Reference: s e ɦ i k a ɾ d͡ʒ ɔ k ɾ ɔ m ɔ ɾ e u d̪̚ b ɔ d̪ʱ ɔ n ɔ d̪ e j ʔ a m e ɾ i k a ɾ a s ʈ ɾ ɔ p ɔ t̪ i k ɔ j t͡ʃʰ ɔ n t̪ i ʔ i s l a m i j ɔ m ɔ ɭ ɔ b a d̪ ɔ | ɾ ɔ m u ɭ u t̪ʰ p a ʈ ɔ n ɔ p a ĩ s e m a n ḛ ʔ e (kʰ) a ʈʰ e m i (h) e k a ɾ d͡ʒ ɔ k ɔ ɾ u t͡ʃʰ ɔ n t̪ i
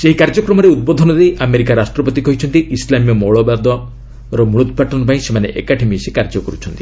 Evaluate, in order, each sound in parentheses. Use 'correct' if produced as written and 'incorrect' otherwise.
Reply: incorrect: k, incorrect: s

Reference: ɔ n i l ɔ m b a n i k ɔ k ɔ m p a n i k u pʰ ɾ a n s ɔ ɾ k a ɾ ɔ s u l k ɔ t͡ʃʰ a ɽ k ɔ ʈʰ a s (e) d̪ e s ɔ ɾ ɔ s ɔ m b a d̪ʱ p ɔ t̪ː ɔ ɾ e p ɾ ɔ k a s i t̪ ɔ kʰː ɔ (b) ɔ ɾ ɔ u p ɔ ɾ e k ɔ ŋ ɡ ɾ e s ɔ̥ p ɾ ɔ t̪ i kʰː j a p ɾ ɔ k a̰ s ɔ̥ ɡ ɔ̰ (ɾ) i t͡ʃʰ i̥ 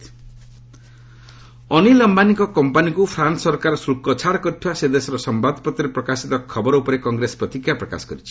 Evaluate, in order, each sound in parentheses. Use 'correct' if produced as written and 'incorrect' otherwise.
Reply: correct, correct, correct

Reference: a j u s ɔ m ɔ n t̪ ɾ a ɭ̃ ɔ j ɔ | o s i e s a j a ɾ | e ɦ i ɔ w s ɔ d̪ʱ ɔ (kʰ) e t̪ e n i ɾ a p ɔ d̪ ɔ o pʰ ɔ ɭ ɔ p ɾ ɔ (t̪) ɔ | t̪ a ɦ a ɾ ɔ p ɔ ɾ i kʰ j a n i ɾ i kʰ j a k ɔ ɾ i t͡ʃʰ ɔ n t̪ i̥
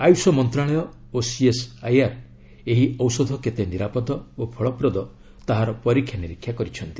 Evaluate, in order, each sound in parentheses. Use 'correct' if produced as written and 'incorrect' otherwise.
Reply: incorrect: k, incorrect: d̪

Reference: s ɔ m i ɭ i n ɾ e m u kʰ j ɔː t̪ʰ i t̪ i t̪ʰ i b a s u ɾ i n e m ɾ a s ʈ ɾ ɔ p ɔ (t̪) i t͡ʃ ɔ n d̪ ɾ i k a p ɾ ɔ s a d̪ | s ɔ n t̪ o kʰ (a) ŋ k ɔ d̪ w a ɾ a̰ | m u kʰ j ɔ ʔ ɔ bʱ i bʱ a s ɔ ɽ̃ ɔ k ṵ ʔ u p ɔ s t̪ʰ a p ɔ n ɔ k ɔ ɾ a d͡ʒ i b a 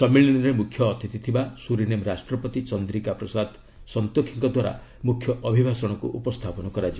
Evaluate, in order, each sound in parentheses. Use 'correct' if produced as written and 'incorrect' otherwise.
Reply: correct, incorrect: i

